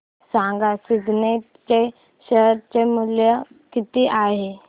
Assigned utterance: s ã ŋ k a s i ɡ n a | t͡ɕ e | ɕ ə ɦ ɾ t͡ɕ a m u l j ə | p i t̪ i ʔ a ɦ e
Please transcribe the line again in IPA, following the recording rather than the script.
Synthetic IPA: s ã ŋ ɡ a s i ɡ n e | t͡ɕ e | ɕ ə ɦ ɾ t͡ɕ e m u l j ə | k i t̪ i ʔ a ɦ e